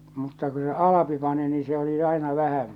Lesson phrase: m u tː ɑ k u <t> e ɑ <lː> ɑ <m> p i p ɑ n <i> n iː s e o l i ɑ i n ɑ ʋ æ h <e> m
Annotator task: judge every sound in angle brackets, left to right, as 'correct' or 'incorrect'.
incorrect: s, incorrect: l, incorrect: none, correct, incorrect: æ

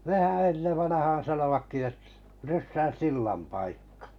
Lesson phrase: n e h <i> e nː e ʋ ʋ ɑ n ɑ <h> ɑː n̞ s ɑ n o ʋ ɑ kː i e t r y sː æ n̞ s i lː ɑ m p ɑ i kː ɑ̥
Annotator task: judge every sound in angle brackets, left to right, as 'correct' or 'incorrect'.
incorrect: æ, correct

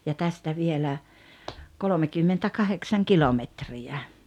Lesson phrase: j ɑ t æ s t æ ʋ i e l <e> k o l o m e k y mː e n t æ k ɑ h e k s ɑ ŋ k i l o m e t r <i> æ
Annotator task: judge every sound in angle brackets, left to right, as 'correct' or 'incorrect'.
incorrect: æ, correct

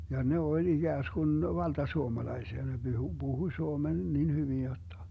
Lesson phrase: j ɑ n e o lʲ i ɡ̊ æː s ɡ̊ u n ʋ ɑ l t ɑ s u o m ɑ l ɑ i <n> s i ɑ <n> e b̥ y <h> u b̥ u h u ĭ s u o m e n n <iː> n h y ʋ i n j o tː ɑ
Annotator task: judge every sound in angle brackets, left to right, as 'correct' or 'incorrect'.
incorrect: none, correct, correct, incorrect: i

